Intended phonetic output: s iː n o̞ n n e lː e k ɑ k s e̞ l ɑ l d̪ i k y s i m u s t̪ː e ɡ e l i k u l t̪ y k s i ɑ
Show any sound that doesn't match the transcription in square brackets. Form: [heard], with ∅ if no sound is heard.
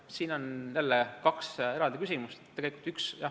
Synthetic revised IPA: s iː n o̞ n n e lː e k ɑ k s e̞ [ɾ] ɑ l d̪ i k y s i m u s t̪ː e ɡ e l i k u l t̪ y k s [j] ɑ